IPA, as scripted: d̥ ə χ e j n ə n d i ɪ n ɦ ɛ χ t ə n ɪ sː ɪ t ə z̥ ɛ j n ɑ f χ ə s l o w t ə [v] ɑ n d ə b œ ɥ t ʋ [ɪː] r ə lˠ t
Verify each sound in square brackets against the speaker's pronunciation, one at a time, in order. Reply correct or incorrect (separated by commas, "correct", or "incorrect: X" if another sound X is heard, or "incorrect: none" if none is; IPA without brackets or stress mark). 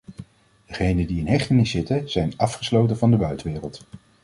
correct, correct